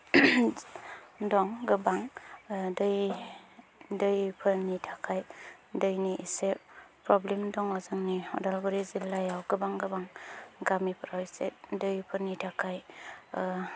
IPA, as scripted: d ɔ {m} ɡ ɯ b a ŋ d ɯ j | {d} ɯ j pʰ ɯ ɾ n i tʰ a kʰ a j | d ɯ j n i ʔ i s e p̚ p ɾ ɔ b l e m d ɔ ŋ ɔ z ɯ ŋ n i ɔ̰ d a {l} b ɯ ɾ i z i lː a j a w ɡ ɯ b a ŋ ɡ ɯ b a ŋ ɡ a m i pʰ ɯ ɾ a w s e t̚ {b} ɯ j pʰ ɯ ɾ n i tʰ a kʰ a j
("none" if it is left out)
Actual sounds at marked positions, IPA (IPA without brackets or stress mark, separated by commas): ŋ, d, l, d